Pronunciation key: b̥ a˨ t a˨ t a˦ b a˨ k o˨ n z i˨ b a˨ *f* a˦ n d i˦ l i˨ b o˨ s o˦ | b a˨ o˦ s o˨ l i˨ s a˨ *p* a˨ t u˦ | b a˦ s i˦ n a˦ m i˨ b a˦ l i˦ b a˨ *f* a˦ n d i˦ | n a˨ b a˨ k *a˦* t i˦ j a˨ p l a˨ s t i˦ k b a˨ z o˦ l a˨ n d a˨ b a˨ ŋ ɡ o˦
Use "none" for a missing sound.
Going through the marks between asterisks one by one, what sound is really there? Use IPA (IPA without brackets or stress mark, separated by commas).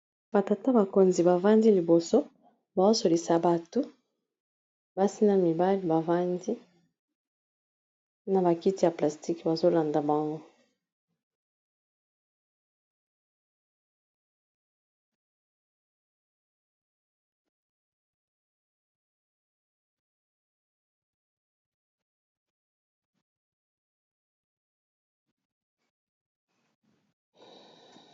v, b, v, i˦